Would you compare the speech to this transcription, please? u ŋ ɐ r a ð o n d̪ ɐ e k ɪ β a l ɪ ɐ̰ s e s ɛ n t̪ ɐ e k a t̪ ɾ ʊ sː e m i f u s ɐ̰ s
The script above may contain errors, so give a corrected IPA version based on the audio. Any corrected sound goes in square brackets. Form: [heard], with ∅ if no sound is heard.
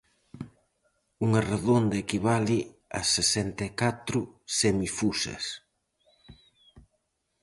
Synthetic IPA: u ŋ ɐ r [e] ð o n d̪ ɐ e k [i] β a l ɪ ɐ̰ s e s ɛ n t̪ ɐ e k a t̪ ɾ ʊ [s] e m i f u s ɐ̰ s